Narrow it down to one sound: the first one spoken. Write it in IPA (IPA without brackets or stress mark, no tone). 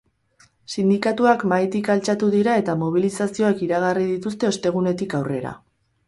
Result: s